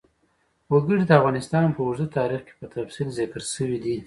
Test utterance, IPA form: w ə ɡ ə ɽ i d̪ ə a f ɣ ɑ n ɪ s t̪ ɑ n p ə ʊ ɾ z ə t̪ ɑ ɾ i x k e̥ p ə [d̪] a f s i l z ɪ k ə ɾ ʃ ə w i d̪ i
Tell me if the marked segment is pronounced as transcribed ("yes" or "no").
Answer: no